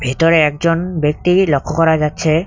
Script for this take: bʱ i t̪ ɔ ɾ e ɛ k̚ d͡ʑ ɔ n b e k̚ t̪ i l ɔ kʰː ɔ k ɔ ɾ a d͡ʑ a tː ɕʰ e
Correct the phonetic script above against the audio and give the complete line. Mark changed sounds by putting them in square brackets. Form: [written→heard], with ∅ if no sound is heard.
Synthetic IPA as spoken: bʱ i t̪ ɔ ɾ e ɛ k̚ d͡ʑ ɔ n b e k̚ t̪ i l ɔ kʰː ɔ k ɔ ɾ a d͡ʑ a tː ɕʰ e